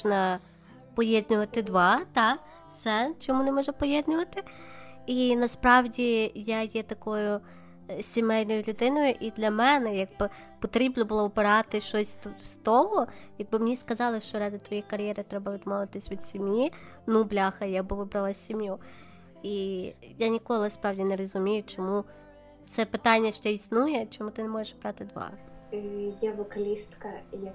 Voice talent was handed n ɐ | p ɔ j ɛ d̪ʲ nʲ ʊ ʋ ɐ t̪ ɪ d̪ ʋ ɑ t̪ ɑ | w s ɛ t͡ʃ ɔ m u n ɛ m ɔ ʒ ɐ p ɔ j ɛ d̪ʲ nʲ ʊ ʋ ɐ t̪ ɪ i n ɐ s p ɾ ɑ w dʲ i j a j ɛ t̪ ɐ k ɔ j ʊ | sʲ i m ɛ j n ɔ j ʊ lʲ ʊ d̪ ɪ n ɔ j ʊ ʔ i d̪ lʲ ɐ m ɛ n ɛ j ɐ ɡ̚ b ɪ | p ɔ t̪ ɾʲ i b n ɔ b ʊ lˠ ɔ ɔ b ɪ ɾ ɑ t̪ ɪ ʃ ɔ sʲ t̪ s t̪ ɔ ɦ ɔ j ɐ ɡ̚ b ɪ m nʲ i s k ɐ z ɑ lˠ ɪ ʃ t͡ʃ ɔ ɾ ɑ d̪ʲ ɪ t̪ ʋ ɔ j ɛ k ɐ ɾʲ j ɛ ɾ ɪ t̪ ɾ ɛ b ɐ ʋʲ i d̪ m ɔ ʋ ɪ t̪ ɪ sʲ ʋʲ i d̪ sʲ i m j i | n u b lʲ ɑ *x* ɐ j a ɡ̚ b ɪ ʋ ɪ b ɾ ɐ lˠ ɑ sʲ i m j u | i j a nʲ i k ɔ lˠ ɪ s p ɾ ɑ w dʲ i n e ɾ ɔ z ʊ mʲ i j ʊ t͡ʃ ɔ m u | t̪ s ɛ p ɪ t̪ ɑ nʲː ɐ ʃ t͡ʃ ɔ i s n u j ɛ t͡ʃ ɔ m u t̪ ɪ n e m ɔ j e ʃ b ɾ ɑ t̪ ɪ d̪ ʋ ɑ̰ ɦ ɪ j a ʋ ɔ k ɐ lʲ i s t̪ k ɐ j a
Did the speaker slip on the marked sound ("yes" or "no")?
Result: no